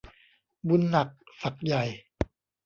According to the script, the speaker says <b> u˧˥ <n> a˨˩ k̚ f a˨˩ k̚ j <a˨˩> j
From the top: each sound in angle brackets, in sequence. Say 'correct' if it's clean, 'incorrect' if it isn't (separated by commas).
correct, incorrect, correct